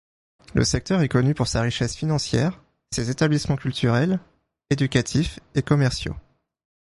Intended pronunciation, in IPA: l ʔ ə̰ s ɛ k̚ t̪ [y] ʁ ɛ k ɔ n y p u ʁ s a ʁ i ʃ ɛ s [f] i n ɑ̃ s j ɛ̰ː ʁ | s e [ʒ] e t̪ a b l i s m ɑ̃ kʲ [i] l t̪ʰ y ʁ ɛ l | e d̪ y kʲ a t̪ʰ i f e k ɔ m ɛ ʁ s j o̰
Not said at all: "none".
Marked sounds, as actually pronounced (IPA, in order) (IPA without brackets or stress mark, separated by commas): œ, f, z, y